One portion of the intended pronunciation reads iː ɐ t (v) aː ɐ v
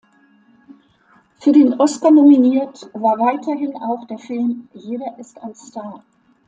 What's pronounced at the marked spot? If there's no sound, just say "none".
v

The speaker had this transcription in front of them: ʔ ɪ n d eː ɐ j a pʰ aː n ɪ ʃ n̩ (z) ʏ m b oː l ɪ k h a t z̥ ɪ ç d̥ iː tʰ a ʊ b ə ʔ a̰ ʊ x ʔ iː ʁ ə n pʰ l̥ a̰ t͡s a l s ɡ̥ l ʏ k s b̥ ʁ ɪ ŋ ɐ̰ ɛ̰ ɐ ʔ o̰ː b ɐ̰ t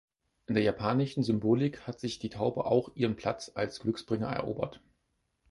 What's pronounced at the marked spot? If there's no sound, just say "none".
z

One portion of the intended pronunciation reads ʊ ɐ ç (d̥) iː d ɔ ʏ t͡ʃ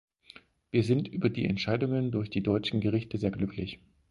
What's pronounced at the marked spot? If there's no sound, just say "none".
d̥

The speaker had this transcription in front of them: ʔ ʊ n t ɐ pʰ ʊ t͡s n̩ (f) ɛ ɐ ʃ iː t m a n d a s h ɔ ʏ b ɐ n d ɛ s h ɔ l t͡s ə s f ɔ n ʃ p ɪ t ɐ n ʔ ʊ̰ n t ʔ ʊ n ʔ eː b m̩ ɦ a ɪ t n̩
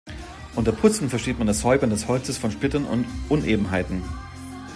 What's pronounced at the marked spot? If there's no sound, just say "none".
f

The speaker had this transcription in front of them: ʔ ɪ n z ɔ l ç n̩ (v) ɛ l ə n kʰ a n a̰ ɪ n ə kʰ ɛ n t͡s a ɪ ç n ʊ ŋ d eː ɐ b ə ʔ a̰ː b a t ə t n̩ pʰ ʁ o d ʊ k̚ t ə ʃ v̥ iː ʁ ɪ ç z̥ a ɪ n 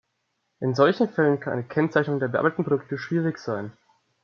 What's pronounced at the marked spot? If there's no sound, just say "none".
f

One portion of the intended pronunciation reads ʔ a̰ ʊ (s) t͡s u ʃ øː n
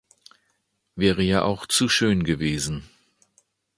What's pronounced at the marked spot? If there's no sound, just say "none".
x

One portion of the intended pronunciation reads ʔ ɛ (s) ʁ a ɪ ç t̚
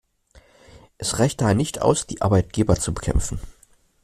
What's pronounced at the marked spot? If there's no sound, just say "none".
s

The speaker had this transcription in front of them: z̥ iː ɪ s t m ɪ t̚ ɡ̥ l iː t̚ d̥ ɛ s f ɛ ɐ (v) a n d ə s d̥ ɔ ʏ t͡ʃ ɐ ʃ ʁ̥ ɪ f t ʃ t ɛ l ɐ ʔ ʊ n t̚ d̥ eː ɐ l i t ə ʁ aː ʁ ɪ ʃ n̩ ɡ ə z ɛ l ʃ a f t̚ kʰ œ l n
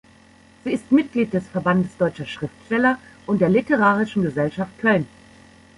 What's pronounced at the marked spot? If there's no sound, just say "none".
b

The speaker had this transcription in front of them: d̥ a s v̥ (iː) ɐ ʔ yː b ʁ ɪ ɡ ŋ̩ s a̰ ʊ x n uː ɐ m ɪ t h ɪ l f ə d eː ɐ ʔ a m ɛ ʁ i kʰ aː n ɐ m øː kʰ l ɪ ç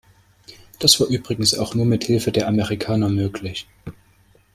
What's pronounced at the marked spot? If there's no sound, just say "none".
aː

